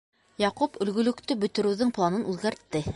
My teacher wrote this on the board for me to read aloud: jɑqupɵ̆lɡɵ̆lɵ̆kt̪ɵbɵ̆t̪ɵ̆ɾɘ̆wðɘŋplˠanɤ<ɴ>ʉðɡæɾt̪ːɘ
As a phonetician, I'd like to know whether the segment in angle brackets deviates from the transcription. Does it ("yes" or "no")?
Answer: yes